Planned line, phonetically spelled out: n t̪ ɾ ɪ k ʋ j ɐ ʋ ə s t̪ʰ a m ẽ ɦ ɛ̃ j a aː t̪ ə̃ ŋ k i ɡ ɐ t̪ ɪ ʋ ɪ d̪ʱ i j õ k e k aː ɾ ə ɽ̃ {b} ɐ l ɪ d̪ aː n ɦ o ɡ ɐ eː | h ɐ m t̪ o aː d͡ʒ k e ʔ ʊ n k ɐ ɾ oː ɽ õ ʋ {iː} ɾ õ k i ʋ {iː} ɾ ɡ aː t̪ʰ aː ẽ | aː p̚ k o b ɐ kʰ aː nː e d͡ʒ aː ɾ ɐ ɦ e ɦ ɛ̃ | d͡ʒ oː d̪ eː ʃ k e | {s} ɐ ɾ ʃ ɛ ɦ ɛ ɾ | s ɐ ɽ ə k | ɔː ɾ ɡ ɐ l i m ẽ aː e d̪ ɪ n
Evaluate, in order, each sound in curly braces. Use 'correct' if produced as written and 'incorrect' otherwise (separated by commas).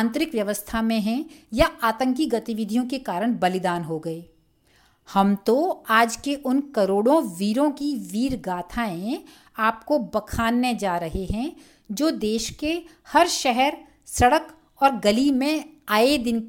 correct, correct, correct, incorrect